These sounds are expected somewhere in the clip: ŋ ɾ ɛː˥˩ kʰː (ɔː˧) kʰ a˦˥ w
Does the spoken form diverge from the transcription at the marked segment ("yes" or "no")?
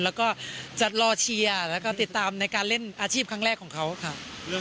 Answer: yes